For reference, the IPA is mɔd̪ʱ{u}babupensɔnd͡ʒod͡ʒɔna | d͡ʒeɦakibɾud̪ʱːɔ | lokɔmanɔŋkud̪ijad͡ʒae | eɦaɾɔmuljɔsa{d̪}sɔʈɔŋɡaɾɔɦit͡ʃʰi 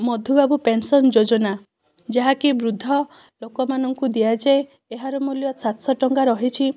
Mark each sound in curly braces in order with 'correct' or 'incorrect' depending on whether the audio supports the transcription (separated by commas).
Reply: correct, incorrect